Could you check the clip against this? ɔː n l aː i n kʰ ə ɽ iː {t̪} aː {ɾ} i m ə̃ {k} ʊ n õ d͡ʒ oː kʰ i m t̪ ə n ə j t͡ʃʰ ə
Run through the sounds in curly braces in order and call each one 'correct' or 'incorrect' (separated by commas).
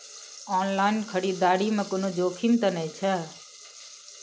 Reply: incorrect, incorrect, correct